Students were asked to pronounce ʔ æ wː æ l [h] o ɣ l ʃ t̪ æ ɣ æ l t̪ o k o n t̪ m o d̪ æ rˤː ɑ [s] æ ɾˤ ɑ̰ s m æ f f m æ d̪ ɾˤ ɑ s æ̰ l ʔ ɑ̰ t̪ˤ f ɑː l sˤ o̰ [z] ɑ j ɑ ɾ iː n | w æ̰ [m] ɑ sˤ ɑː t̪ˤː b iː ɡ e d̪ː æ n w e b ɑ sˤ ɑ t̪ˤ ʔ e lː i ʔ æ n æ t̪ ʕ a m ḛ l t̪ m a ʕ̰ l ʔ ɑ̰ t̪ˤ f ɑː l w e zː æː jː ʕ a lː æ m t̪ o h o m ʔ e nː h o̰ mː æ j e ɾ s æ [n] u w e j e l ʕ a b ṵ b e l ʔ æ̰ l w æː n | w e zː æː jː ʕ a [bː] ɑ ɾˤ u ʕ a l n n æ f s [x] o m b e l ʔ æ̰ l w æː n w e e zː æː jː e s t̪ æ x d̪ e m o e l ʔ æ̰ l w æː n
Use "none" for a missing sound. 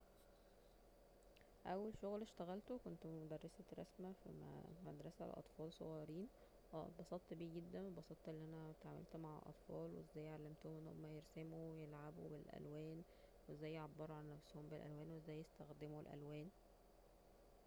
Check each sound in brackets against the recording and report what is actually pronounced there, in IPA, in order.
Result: ʃ, s, ɣ, b, m, bː, h

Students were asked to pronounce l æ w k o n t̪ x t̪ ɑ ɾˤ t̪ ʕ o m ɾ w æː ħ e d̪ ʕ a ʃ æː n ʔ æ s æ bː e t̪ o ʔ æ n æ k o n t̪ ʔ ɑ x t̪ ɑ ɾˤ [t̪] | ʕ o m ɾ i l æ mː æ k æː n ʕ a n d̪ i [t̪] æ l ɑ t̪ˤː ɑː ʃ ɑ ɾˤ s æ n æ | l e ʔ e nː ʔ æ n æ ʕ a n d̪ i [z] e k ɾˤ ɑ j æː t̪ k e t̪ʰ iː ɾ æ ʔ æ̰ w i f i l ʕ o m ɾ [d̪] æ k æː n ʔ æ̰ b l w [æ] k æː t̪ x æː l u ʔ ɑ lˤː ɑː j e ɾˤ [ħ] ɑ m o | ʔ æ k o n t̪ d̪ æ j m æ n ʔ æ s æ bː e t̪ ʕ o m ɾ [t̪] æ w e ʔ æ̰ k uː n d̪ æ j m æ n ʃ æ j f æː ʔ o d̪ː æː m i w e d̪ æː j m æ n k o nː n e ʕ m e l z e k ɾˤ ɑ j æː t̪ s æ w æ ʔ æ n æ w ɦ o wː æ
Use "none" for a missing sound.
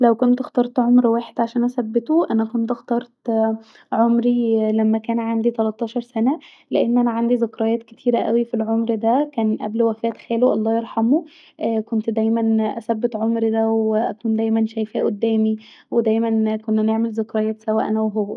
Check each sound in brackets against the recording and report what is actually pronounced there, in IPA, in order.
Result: t̪, t̪, z, d̪, æ, ħ, d̪

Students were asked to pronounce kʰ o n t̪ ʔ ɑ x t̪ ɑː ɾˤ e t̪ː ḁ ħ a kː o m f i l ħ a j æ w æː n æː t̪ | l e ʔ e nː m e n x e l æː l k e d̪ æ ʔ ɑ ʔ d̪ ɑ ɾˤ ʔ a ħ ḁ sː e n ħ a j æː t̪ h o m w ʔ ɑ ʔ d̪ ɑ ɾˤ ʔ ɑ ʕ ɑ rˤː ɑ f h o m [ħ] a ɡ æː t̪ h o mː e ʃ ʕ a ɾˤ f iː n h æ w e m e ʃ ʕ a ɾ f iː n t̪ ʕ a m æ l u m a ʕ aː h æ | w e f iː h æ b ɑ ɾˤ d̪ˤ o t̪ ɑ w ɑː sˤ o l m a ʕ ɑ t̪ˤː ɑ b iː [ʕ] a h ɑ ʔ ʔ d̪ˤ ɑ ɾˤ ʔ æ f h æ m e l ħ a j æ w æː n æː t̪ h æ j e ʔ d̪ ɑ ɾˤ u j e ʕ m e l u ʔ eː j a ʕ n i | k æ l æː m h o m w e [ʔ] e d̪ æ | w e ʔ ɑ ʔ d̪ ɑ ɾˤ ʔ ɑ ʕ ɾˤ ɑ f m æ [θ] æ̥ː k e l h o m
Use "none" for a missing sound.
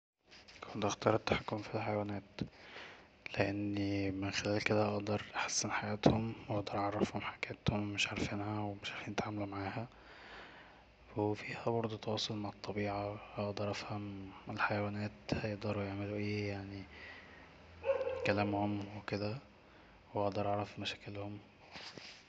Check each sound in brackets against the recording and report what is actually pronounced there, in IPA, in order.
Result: ħ, ʕ, k, ʃ

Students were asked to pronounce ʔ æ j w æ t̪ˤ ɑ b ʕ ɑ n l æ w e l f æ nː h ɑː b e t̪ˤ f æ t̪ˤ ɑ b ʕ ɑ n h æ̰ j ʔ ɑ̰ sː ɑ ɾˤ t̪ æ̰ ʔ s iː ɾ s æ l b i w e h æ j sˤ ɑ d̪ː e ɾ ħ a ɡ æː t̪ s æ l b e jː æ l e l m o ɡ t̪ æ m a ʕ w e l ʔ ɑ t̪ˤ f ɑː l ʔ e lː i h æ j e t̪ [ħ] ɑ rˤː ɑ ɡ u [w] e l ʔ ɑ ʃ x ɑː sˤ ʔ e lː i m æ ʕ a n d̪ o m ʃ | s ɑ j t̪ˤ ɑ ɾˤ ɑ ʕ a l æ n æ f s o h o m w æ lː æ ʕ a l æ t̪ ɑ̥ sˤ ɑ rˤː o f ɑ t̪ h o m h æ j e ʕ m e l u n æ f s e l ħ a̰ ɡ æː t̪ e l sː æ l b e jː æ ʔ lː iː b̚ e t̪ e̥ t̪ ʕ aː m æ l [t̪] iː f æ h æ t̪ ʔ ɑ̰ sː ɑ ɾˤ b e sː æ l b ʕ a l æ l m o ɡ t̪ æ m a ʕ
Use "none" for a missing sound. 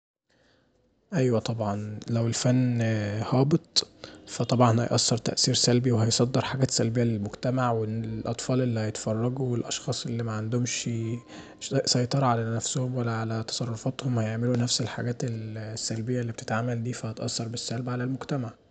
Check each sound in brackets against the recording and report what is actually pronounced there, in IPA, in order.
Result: f, w, d̪

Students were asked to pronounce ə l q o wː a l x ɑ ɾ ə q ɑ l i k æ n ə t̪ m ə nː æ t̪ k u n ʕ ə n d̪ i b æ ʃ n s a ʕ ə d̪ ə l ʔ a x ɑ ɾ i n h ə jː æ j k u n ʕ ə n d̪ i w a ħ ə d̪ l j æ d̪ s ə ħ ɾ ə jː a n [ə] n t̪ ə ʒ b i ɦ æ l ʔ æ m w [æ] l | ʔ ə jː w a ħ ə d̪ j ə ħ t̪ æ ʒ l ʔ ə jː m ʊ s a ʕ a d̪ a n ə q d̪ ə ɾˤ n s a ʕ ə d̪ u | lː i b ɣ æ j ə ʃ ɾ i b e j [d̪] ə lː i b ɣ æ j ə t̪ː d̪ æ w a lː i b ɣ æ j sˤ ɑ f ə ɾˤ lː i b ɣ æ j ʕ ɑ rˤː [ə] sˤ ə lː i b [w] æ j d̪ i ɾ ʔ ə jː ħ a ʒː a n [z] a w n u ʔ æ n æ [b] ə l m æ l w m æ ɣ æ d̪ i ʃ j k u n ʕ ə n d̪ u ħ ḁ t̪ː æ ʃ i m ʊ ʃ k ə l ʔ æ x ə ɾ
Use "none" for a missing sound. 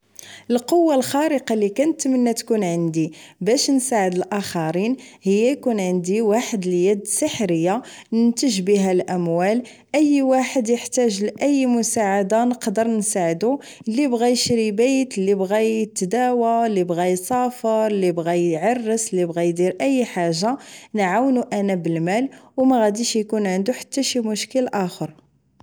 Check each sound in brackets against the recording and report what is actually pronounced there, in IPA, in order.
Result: ə, æ, t̪, ə, ɣ, ʕ, b

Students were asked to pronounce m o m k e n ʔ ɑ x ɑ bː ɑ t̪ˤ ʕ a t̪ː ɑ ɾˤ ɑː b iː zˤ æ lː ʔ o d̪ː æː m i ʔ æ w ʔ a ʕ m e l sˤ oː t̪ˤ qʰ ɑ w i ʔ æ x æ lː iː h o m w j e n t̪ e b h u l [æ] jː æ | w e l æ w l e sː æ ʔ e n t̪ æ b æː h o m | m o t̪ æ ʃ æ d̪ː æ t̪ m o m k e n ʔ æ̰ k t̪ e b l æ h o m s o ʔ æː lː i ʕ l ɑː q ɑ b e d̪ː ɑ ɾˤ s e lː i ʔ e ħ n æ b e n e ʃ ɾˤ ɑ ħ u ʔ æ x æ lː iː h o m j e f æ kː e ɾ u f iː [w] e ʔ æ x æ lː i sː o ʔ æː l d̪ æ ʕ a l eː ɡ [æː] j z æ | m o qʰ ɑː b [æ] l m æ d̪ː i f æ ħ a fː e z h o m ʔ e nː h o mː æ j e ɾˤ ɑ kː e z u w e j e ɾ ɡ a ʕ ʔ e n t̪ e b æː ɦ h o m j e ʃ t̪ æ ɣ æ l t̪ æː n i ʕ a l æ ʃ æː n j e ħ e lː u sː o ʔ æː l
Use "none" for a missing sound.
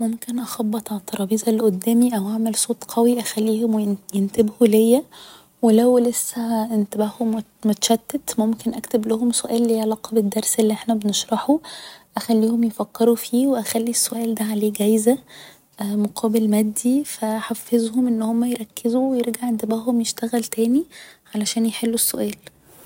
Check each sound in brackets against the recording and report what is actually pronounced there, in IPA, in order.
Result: e, w, æ, e

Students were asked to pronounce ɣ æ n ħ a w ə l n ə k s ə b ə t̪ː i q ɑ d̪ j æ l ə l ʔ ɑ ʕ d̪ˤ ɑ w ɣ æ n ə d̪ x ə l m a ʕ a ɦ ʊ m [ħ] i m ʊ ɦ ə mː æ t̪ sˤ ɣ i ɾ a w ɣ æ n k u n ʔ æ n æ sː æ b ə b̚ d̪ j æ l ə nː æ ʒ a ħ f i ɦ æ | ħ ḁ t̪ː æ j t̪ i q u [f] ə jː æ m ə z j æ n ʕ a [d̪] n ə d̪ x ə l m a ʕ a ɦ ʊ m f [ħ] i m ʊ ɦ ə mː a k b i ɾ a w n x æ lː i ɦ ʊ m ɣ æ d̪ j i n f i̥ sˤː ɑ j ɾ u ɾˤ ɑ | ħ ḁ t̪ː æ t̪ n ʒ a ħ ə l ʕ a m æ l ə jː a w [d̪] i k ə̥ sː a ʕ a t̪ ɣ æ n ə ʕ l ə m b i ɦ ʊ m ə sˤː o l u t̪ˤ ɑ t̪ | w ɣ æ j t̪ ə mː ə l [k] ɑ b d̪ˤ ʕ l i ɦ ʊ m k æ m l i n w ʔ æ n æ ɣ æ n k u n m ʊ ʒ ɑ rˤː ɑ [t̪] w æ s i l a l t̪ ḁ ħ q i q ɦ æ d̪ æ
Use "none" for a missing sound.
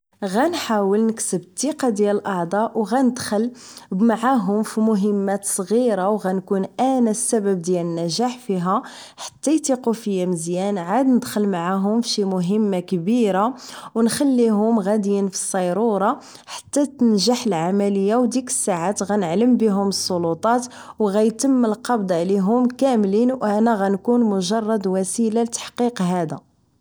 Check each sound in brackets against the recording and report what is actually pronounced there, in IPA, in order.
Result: f, f, d̪, ʃ, d̪, q, d̪

